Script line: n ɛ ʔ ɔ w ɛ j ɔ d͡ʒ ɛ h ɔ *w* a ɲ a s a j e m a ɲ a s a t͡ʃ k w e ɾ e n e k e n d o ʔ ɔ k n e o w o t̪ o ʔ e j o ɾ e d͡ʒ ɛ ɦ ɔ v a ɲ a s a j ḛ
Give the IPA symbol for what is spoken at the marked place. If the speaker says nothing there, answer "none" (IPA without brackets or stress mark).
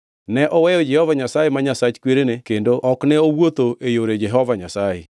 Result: v